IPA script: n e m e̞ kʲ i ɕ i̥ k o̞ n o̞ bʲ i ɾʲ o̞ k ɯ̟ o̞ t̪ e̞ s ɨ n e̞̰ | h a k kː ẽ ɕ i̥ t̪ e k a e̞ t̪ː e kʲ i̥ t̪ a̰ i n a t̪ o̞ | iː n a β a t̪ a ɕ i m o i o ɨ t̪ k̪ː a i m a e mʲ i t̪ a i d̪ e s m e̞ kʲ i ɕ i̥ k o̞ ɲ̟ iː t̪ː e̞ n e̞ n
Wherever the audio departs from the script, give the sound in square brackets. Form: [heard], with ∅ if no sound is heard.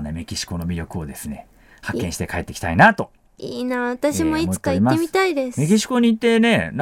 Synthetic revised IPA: n e m e̞ kʲ i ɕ i̥ k o̞ n o̞ [mʲ] i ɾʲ o̞ k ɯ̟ o̞ [d̪] e̞ s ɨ n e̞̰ | h a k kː ẽ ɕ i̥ t̪ e k a e̞ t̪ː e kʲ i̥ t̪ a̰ i n a t̪ o̞ | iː n a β a t̪ a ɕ i m o i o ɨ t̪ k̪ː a i m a e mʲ i t̪ a i d̪ e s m e̞ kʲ i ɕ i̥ k o̞ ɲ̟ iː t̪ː e̞ n e̞ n